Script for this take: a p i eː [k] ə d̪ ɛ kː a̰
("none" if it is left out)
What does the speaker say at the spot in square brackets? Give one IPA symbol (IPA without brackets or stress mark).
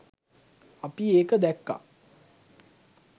k